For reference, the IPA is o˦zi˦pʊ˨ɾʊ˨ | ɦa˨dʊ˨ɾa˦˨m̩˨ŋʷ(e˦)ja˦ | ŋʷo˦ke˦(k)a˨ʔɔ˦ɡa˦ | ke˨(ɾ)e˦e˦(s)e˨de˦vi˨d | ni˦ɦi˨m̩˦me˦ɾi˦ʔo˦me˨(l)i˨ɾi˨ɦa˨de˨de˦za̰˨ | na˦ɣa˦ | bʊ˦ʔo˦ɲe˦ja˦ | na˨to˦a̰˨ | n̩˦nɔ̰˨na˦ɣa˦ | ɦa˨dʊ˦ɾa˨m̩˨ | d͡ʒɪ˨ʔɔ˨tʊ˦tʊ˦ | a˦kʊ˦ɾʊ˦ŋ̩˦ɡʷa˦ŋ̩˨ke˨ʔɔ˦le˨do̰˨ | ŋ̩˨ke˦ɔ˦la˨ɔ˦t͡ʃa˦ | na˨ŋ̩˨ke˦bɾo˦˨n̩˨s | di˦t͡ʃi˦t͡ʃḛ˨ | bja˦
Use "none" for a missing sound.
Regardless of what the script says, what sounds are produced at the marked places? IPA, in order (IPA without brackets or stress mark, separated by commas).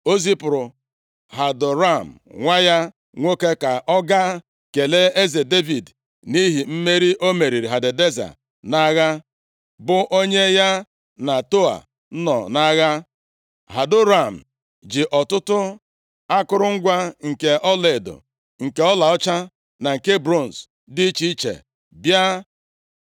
a˦, k, l, z, ɾ